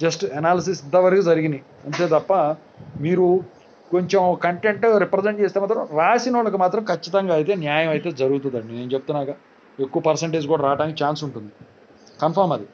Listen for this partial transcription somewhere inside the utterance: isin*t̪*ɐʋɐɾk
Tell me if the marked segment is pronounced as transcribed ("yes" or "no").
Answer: yes